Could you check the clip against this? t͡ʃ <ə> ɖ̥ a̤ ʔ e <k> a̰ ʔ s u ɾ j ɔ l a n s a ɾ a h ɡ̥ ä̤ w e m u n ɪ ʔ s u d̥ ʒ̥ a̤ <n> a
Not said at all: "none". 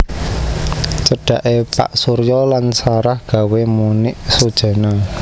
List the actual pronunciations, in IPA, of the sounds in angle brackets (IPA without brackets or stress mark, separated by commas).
ə, p, n